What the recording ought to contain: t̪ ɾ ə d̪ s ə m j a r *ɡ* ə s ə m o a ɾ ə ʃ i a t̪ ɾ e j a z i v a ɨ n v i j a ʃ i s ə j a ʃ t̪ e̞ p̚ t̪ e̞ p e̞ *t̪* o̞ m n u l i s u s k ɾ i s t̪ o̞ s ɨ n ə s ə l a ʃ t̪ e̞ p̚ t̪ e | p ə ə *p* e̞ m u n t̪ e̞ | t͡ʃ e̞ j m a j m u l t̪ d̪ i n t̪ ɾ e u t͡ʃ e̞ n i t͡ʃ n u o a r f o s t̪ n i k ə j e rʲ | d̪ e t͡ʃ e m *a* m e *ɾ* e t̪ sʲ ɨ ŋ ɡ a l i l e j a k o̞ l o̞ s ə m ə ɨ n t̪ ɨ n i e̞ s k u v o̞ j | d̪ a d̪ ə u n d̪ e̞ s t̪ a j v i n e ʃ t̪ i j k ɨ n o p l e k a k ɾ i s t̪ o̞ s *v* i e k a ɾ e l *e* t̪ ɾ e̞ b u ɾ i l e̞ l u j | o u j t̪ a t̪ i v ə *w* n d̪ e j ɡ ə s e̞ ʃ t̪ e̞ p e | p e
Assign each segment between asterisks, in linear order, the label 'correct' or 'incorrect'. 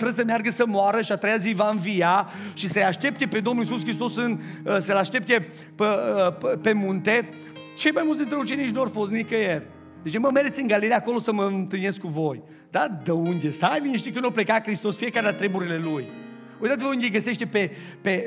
correct, incorrect, correct, incorrect, correct, incorrect, incorrect, incorrect

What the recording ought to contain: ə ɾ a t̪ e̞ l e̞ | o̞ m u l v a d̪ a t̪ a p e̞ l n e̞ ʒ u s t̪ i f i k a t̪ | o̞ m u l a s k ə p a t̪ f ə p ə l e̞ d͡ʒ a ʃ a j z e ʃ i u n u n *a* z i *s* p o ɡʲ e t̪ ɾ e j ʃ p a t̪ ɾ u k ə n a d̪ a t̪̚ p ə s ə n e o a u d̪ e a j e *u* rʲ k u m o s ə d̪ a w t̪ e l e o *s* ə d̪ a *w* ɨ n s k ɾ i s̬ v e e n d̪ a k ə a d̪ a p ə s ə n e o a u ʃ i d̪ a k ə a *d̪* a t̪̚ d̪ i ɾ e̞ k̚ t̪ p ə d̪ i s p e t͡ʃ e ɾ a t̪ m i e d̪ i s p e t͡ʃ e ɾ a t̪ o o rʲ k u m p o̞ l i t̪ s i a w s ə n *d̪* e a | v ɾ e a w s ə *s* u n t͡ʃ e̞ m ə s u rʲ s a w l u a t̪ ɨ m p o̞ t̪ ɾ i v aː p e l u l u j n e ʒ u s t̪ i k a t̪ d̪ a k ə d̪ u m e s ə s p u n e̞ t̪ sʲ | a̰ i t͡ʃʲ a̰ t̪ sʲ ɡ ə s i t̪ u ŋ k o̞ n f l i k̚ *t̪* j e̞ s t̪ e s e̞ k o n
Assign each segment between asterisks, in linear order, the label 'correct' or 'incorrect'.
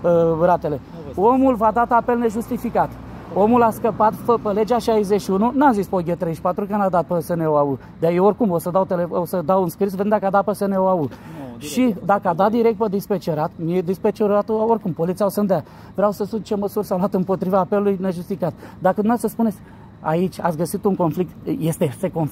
correct, correct, incorrect, correct, correct, correct, correct, correct, correct

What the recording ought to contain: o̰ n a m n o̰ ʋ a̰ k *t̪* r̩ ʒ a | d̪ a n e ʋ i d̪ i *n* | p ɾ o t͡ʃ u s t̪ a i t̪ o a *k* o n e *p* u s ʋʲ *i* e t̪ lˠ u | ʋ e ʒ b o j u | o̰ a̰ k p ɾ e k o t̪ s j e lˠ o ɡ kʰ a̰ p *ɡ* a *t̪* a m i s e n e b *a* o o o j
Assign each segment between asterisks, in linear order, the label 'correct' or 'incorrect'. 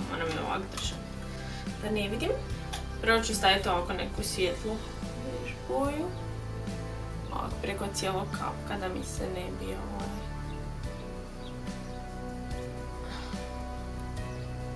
incorrect, incorrect, correct, incorrect, incorrect, incorrect, incorrect, incorrect

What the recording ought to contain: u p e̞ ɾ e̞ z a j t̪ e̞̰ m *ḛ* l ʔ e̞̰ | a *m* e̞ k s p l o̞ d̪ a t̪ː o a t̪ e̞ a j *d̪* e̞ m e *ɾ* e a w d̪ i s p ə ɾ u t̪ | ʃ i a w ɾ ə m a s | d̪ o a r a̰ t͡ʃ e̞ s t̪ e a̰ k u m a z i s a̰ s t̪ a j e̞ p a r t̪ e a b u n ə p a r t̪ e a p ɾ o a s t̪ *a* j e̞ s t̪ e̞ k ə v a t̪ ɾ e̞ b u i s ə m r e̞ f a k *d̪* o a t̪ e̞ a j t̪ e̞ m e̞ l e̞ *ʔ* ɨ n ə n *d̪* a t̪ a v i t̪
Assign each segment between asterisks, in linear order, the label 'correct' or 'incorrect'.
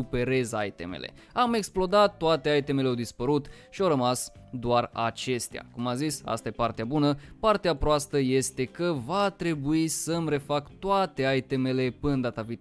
correct, correct, incorrect, incorrect, incorrect, incorrect, incorrect, correct

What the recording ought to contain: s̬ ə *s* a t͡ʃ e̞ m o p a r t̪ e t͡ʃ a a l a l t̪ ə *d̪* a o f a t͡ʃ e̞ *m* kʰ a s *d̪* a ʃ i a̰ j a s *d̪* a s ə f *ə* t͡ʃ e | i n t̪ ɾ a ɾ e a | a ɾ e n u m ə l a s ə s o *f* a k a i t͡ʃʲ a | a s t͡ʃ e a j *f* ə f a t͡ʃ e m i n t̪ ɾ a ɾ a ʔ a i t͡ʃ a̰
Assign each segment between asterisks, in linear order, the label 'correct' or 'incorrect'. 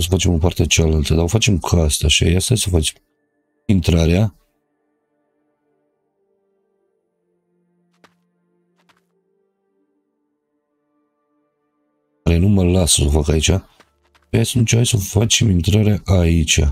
incorrect, correct, correct, incorrect, incorrect, incorrect, correct, incorrect

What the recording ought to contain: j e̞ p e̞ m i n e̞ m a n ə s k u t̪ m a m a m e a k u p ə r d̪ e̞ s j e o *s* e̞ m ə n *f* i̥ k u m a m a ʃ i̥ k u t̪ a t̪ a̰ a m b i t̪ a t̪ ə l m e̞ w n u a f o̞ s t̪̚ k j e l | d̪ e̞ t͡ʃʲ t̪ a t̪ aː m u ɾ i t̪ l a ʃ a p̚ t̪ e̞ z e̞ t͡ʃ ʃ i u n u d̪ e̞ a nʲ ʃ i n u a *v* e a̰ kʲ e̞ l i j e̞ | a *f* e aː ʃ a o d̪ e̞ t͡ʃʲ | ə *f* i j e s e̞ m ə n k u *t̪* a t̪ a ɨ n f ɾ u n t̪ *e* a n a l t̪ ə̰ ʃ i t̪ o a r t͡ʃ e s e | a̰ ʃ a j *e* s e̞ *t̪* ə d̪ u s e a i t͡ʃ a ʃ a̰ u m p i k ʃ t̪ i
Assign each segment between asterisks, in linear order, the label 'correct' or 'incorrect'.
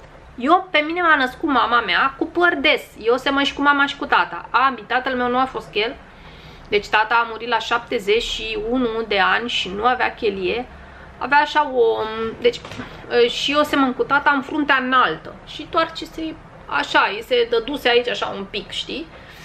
correct, incorrect, correct, incorrect, incorrect, correct, correct, correct, incorrect

